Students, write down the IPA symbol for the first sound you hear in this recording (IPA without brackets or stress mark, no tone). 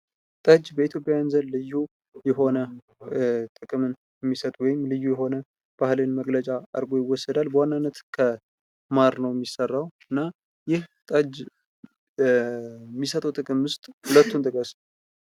t̪ʼ